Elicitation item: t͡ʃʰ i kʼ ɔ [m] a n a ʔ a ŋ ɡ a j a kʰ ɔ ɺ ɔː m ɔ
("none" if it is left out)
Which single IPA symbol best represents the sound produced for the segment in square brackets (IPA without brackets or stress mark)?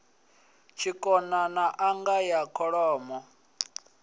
n